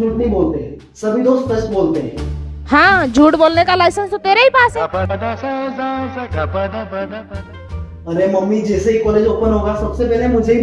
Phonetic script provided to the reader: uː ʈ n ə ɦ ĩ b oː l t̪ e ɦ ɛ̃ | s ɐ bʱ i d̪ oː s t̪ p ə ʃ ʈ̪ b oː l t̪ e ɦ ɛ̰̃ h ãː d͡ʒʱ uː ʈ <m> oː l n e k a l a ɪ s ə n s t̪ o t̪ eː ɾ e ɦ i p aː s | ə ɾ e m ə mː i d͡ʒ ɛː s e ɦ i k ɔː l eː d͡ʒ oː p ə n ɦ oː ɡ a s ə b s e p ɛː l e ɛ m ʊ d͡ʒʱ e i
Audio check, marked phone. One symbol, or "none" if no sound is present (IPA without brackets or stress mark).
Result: b